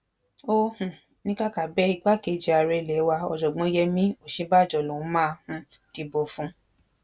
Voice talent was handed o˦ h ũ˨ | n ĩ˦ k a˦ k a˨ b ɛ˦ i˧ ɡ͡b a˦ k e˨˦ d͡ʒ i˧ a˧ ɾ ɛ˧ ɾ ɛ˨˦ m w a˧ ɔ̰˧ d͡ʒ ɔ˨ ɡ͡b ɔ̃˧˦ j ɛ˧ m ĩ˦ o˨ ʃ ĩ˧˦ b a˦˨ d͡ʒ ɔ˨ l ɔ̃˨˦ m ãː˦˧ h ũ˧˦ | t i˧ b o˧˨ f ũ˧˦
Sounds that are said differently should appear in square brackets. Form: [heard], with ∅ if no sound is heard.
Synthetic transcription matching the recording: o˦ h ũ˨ | n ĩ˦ k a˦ k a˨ b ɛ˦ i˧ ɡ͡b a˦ k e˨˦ d͡ʒ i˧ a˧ ɾ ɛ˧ [l] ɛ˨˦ [∅] w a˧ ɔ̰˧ d͡ʒ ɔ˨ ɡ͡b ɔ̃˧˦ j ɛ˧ m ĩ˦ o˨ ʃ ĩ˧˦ b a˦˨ d͡ʒ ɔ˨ l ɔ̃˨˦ m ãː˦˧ h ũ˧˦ | t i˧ b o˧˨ f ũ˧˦